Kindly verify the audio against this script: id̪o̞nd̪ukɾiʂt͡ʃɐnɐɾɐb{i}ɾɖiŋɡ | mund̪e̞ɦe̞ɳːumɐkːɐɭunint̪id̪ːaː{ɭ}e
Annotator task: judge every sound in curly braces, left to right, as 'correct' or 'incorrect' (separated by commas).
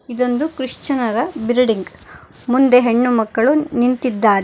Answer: correct, incorrect